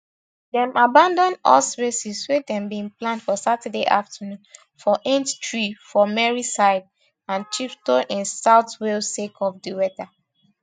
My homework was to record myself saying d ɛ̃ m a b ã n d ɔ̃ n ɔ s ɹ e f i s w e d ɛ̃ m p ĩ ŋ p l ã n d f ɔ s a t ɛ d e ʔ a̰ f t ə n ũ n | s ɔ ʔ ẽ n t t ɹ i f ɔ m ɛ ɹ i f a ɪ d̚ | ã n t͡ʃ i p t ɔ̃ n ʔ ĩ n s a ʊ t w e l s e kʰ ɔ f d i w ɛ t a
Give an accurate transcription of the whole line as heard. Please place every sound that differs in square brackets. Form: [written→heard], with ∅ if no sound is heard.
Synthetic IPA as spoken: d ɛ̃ m a b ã n d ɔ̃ n ɔ s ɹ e [f→s] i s w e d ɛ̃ m [p→b] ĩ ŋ p l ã n d f ɔ s a t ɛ d e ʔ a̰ f t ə n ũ n | [s→f] ɔ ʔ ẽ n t t ɹ i f ɔ m ɛ ɹ i [f→s] a ɪ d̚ | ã n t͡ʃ i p t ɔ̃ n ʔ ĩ n s a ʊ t w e l s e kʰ ɔ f d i w ɛ t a